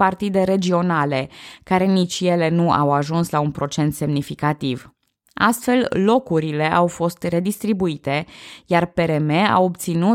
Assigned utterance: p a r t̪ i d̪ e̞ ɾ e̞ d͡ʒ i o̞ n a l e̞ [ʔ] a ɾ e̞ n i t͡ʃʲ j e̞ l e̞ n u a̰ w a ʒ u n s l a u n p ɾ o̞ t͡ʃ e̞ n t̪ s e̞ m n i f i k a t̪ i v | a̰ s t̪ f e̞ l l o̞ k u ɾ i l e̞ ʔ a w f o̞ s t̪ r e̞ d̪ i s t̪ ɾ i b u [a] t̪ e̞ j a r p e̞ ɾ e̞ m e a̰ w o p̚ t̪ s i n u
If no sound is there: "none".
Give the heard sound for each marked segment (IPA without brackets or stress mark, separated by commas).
k, i